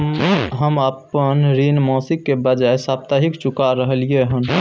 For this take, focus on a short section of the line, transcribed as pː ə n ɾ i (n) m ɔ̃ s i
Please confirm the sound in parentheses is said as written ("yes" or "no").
yes